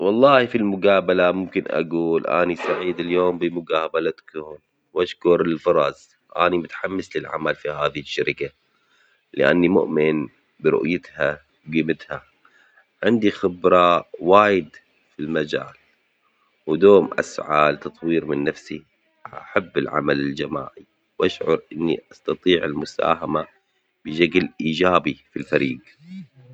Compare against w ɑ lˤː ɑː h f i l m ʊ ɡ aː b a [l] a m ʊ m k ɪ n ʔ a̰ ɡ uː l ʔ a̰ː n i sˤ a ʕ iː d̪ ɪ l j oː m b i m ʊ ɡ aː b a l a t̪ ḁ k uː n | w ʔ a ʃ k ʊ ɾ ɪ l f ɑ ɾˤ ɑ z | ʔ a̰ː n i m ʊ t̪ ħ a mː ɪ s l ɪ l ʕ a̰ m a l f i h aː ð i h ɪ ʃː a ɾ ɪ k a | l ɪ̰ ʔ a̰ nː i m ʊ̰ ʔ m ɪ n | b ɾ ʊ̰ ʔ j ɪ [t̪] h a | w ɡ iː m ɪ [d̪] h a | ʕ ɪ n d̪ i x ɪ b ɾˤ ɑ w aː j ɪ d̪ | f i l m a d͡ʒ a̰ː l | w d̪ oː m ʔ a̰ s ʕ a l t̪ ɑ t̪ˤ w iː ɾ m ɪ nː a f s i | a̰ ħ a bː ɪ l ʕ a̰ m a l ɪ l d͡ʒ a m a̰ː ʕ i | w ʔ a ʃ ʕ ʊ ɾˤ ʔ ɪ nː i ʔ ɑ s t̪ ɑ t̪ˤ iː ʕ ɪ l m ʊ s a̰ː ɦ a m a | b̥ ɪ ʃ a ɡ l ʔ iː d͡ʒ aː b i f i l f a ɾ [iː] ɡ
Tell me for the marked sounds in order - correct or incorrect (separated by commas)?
correct, correct, incorrect, correct